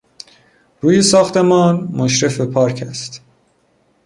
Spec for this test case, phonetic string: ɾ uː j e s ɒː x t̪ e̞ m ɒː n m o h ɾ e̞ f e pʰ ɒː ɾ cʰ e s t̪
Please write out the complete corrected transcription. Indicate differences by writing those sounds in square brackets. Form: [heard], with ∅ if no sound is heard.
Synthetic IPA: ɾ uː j e s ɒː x t̪ e̞ m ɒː n m o [ʃ] ɾ e̞ f e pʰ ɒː ɾ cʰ [æ] s t̪